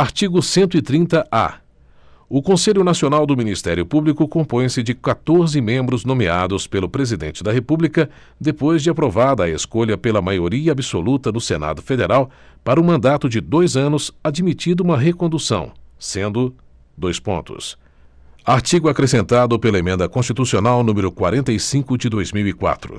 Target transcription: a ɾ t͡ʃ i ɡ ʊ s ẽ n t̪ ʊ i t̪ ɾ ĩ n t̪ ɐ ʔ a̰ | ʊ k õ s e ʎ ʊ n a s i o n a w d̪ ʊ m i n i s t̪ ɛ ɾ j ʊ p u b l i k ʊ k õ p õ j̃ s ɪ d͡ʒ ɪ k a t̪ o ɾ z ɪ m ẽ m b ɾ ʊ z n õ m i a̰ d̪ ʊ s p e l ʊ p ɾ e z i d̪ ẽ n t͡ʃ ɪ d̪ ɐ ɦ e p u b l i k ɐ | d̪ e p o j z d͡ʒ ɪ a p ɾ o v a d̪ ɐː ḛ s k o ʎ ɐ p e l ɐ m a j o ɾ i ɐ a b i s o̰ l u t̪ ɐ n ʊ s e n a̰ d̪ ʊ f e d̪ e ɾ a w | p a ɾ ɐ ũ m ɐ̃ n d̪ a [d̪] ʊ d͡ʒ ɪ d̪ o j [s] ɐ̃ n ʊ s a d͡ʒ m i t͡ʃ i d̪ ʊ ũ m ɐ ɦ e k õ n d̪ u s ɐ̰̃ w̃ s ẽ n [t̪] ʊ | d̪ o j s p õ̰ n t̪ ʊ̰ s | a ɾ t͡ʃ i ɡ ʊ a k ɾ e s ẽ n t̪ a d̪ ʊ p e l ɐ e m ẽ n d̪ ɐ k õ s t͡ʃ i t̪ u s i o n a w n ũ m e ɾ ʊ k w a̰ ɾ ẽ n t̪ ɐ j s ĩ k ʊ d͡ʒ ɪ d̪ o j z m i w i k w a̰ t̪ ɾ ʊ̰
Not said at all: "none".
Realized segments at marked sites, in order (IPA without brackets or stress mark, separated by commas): t̪, z, d̪